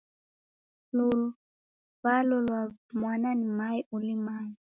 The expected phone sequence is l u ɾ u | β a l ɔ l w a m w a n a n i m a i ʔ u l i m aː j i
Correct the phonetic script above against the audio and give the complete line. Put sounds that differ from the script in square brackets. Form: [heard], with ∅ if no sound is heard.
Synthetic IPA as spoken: l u [l] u | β a l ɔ l w a m w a n a n i m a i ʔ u l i m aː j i